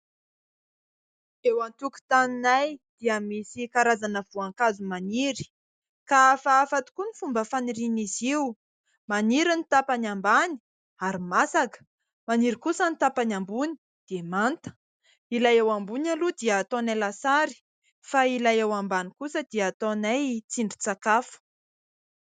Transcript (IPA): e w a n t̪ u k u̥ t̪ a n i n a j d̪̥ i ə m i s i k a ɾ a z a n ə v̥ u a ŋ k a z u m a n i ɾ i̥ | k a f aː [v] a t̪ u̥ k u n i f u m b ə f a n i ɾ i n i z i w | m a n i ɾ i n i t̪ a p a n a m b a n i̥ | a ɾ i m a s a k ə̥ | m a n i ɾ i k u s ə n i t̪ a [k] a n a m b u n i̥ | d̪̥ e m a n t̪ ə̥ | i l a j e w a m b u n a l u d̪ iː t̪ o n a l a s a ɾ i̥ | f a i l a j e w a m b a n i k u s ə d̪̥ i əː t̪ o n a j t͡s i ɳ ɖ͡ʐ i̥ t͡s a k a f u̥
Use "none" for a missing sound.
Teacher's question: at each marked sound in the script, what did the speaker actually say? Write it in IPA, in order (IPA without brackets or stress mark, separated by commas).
f, p